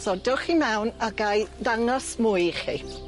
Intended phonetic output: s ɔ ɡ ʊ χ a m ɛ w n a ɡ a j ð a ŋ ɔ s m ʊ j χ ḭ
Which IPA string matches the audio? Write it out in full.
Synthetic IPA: s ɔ d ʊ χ i m ɛ w n a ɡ a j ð a ŋ ɔ s m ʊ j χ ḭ